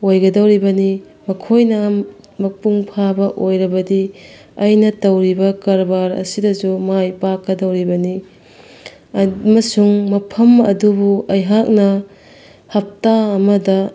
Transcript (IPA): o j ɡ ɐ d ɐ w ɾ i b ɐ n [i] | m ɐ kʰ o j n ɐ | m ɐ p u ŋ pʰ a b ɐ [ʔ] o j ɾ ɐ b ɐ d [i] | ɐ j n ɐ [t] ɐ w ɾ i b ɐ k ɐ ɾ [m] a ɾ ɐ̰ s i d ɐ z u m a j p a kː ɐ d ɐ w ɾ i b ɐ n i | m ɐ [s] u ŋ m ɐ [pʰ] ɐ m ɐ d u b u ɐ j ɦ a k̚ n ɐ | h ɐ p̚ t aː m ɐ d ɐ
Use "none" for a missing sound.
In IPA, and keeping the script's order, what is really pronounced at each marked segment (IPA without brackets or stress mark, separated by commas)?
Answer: i, ʔ, i, t, b, s, pʰ